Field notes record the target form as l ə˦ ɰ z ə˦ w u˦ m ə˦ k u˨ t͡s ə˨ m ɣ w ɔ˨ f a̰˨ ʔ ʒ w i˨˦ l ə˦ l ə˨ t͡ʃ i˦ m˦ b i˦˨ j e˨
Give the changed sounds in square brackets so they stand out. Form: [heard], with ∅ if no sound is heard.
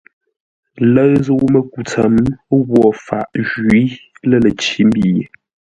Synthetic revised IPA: l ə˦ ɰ z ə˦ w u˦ m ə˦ k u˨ t͡s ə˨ m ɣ w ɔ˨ f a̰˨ ʔ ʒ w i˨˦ l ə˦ l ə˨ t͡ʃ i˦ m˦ b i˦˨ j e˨